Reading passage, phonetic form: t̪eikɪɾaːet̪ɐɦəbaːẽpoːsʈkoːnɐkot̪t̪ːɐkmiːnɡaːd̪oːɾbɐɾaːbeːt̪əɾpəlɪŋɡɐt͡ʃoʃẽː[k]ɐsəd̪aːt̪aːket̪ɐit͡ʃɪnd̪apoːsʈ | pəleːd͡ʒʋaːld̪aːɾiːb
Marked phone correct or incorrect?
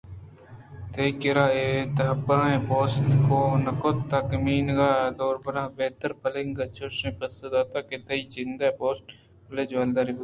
incorrect